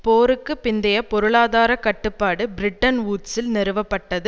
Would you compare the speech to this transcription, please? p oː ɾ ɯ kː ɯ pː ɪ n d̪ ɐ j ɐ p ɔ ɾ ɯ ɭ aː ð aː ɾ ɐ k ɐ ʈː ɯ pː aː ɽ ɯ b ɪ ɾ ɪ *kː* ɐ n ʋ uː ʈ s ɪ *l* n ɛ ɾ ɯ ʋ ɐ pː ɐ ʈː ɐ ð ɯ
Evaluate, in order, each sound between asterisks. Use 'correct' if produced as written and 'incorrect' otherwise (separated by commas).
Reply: incorrect, correct